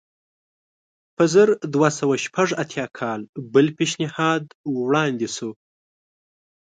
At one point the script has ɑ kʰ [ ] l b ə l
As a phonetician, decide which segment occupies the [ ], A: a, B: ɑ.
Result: B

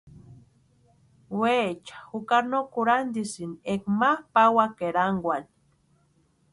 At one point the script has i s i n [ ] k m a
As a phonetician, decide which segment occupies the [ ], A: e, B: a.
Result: A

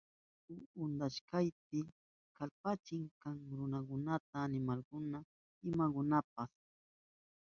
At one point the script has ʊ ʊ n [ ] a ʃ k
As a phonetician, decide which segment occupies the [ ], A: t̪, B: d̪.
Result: B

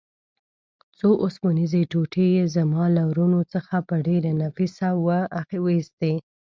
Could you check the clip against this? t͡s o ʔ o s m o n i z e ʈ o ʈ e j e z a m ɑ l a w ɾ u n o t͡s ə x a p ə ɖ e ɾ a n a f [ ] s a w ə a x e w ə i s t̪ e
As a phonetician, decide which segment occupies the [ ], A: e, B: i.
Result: B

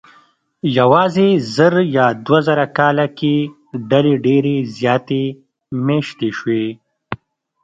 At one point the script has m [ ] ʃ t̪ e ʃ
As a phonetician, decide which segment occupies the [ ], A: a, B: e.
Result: B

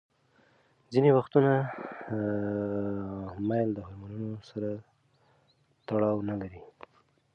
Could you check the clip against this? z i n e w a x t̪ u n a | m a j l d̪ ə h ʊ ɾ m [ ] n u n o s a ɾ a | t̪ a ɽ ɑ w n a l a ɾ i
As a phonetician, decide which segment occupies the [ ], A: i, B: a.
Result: B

